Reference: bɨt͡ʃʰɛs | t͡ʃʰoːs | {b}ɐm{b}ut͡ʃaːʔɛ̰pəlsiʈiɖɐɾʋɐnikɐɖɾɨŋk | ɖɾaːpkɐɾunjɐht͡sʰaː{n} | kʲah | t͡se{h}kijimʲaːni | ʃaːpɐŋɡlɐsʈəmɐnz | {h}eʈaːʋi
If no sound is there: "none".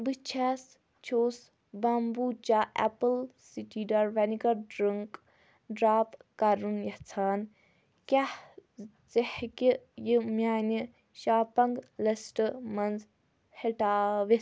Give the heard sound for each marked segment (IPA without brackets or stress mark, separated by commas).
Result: b, b, n, h, h